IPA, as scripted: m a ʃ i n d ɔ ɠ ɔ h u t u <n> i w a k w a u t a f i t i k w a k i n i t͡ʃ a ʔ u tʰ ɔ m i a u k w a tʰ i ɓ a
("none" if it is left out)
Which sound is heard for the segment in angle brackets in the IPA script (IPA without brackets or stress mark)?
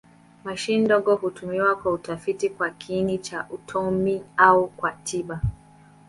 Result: m